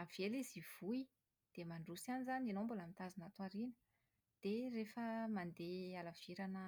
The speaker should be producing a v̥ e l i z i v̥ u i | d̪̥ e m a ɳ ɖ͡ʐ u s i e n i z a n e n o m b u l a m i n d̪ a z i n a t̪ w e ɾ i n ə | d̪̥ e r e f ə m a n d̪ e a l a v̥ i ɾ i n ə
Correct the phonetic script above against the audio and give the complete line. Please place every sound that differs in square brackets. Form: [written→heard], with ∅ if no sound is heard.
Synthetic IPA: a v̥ e l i z i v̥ u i | d̪̥ e m a ɳ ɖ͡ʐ u s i [e→a] n i z a n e n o m b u l a m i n [d̪→t̪] a z i n a t̪ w [e→a] ɾ i n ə | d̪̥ e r e f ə m a n d̪ e a l a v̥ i ɾ [i→a] n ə